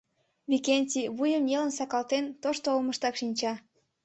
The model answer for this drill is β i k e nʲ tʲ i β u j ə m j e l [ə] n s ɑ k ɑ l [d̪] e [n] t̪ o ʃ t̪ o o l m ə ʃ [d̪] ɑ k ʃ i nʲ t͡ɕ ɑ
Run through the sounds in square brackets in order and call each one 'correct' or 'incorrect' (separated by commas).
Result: correct, incorrect, correct, incorrect